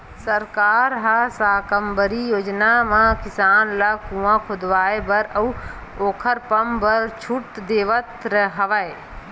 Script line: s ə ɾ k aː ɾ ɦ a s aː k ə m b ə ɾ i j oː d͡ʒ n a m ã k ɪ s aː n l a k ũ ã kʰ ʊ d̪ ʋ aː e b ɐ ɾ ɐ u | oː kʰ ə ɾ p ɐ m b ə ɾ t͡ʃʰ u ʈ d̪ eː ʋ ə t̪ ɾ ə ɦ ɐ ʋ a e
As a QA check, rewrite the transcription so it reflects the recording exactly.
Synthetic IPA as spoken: s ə ɾ k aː ɾ ɦ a s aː k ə m b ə ɾ i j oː d͡ʒ n a m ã k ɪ s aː n l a k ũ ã kʰ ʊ d̪ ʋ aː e b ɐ ɾ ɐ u | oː kʰ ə ɾ p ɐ m b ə ɾ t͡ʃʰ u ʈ d̪ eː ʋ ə t̪ ɾ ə ɦ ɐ ʋ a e